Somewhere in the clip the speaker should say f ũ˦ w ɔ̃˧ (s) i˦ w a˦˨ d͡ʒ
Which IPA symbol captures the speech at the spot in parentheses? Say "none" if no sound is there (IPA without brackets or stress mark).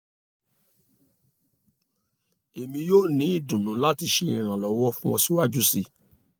s